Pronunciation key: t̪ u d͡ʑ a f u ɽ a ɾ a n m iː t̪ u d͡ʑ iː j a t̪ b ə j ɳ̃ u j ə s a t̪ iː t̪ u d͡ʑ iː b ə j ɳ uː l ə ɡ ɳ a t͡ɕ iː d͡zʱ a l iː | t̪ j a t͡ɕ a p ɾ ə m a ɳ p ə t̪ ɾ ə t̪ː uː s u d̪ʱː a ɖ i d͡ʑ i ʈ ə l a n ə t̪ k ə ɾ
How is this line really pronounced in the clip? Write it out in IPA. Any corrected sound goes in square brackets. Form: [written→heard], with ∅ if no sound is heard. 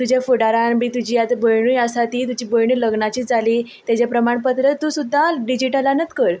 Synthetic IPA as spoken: t̪ u d͡ʑ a f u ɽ a ɾ a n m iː t̪ u d͡ʑ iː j a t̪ b ə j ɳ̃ u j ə s a t̪ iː t̪ u d͡ʑ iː b ə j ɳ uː l ə ɡ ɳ a t͡ɕ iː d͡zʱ a l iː | t̪ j a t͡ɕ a p ɾ ə m a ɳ p ə t̪ ɾ ə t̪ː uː s u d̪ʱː a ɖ i d͡ʑ i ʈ ə l a n ə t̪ k ə ɾ